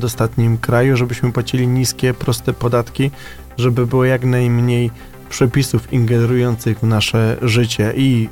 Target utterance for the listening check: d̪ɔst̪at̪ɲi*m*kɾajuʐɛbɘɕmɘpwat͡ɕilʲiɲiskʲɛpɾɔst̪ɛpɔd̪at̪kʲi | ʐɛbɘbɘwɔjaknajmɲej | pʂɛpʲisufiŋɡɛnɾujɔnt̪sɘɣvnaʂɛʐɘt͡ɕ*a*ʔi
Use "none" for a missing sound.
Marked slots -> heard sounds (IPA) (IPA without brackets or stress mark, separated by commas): m, ɛ